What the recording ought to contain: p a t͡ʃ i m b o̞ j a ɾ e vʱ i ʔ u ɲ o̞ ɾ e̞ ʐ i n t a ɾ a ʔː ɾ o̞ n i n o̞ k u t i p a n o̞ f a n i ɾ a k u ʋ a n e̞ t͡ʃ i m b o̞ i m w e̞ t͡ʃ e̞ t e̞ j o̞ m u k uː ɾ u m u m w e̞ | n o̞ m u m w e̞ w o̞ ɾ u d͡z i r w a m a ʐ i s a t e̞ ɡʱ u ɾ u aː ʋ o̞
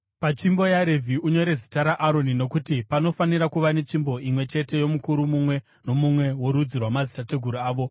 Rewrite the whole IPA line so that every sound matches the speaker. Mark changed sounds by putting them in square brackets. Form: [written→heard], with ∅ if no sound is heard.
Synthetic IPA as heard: p a t͡ʃ i m b o̞ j a ɾ e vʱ i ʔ u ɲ o̞ ɾ e̞ [ʐ→z] i [n→∅] t a ɾ a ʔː ɾ o̞ n i n o̞ k u t i p a n o̞ f a n i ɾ a k u ʋ a n e̞ t͡ʃ i m b o̞ i m w e̞ t͡ʃ e̞ t e̞ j o̞ m u k [uː→u] ɾ u m u m w e̞ | n o̞ m u m w e̞ w o̞ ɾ u d͡z i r w a m a [ʐ→z] i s a t e̞ ɡʱ u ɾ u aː ʋ o̞

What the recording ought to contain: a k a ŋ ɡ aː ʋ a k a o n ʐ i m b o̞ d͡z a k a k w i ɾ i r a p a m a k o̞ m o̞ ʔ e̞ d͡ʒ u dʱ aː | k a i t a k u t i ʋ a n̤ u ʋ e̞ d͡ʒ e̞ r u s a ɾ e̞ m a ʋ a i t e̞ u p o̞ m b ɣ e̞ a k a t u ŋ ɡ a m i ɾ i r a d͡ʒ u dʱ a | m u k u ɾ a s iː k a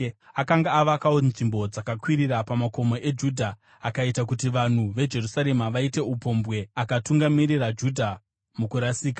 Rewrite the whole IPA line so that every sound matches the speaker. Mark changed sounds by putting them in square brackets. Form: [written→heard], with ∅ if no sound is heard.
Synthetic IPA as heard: a k a ŋ ɡ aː ʋ a k a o n ʐ i m b o̞ d͡z a k a k w i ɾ i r a p a m a k o̞ m o̞ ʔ e̞ d͡ʒ u dʱ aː | k a i t a k u t i ʋ a n̤ u ʋ e̞ d͡ʒ e̞ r u s a ɾ e̞ m a ʋ a i t e̞ u p o̞ m b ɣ e̞ a k a t u ŋ ɡ a m i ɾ i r a d͡ʒ u dʱ a | m u k u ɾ a s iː k a

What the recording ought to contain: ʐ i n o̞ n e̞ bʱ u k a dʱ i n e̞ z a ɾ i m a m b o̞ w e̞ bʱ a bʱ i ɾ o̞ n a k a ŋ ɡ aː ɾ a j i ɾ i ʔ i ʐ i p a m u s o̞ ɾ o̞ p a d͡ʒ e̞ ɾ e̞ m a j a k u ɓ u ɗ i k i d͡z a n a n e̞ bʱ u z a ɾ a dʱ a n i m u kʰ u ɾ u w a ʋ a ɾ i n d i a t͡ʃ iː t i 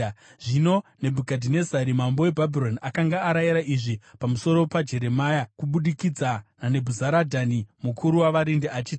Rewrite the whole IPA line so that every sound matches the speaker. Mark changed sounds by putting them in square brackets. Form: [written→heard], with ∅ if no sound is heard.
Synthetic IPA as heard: ʐ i n o̞ n e̞ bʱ u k a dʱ i n e̞ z a ɾ i m a m b o̞ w e̞ bʱ a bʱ i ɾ o̞ n a k a ŋ ɡ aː ɾ a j i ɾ [i→a] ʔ i ʐ i p a m u s o̞ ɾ o̞ p a d͡ʒ e̞ ɾ e̞ m a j a k u ɓ u ɗ i k i d͡z a n a n e̞ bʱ u z a ɾ a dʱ a n i m u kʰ u ɾ u w a ʋ a ɾ i n d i a t͡ʃ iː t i

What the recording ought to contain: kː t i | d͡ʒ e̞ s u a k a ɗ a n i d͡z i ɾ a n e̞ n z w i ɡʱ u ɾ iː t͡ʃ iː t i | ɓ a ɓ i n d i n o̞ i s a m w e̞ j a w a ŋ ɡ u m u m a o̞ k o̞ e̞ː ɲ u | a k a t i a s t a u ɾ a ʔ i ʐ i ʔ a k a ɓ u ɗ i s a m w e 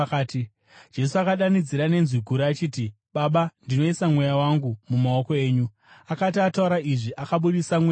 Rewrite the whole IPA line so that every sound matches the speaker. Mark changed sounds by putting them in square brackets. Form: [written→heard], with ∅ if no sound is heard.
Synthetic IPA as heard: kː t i | d͡ʒ e̞ s u a k a ɗ a n i d͡z i ɾ a n e̞ n z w i ɡʱ u ɾ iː t͡ʃ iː t i | ɓ a ɓ [i→a] n d i n o̞ i s a m w e̞ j a w a ŋ ɡ u m u m a o̞ k o̞ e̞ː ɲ u | a k a t i a [s→∅] t a u ɾ a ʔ i ʐ i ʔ a k a ɓ u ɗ i s a m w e

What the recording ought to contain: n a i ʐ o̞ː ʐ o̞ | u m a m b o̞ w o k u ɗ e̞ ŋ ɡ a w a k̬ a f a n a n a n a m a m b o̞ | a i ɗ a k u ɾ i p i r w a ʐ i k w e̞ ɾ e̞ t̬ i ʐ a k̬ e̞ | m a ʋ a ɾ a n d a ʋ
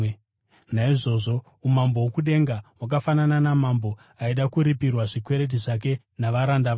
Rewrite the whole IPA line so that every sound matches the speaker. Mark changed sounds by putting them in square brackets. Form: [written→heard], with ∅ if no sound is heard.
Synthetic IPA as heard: n a i ʐ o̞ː ʐ o̞ | u m a m b o̞ w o k u ɗ e̞ ŋ ɡ a w a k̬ a f a n a n a n a m a m b o̞ | a i ɗ a k u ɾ i p i r w a ʐ i k w e̞ ɾ e̞ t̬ i ʐ a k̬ e̞ | [m→n] a ʋ a ɾ a n d a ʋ

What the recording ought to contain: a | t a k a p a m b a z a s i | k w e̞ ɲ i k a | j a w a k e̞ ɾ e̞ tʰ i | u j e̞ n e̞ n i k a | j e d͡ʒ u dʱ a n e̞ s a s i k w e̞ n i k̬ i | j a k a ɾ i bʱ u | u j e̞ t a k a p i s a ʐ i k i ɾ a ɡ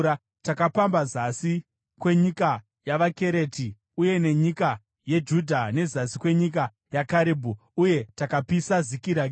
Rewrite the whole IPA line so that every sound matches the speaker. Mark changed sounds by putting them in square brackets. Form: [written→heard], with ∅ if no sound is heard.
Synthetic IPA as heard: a | t a k a p a m b a z a s i | k w e̞ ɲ i k a | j a [w→ʋ] a k e̞ ɾ e̞ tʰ i | u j e̞ n e̞ [n→ɲ] i k a | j e d͡ʒ u dʱ a n e̞ [s→z] a s i k w e̞ [n→ɲ] i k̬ [i→a] | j a k a ɾ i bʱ u | u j e̞ t a k a p i s a [ʐ→z] i k i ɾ a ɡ

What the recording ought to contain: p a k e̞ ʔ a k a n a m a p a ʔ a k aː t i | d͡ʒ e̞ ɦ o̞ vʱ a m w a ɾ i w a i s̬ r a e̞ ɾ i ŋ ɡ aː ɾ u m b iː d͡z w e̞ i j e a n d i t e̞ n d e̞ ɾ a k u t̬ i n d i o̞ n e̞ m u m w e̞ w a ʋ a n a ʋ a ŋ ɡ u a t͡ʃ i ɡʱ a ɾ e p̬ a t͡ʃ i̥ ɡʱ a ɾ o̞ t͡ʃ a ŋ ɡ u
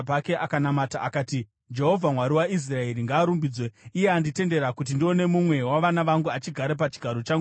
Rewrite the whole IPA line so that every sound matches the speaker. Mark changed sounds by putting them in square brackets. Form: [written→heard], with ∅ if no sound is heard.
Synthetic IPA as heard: p a k e̞ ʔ a k a n a m a [p→t] a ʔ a k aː t i | d͡ʒ e̞ ɦ o̞ vʱ a m w a ɾ i w a i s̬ r a e̞ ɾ i ŋ ɡ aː ɾ u m b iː d͡z w e̞ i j e a n d i t e̞ n d e̞ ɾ a k u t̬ i n d i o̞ n e̞ m u m w e̞ w a ʋ a n a ʋ a ŋ ɡ u a t͡ʃ i ɡʱ a ɾ e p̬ a t͡ʃ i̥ ɡʱ a ɾ o̞ t͡ʃ a ŋ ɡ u

